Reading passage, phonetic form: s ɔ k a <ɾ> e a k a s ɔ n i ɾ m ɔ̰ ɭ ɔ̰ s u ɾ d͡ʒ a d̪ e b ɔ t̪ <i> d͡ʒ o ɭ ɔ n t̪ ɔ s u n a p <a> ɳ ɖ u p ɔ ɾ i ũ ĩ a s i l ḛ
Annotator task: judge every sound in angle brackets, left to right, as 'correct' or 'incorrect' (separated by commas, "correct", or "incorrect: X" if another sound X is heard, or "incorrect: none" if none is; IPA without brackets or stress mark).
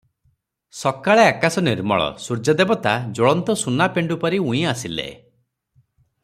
incorrect: ɭ, incorrect: a, incorrect: e